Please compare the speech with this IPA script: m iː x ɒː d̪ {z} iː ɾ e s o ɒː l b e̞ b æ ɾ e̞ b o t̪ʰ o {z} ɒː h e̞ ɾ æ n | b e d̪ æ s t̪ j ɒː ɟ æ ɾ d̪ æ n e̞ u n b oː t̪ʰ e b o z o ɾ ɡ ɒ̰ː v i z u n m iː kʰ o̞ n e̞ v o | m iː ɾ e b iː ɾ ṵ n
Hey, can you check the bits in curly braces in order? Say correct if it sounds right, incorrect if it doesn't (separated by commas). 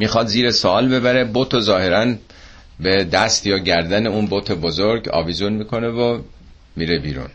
correct, correct